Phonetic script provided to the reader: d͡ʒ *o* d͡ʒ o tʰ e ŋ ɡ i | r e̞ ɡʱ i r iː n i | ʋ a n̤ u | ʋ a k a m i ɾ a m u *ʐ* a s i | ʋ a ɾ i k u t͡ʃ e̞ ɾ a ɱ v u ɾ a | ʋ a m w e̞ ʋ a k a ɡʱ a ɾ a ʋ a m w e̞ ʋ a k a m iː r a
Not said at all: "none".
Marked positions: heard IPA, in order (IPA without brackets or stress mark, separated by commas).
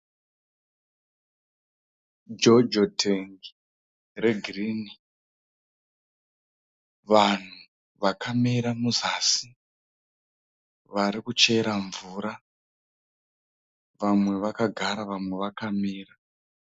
o, z